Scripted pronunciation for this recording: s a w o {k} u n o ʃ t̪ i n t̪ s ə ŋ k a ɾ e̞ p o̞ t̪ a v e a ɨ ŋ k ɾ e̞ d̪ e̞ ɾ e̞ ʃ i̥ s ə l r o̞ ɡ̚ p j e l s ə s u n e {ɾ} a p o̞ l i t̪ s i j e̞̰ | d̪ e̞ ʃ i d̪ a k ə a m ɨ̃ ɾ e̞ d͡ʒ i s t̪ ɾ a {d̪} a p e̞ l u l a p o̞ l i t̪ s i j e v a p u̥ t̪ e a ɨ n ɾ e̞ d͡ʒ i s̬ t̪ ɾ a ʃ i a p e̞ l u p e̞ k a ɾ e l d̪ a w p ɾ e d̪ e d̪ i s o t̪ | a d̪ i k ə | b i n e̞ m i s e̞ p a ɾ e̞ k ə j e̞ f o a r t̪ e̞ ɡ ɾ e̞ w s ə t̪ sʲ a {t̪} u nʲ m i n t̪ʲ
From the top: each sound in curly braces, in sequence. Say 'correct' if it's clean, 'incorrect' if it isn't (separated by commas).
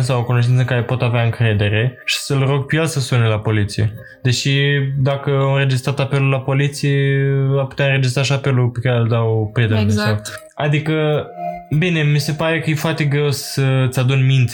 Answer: correct, incorrect, incorrect, incorrect